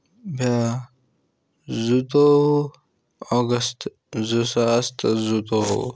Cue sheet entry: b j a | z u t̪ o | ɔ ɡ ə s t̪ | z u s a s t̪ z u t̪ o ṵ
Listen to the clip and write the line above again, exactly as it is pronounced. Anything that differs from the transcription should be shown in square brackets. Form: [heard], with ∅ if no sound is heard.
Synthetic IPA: b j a | z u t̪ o | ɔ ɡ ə s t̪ | z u s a s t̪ z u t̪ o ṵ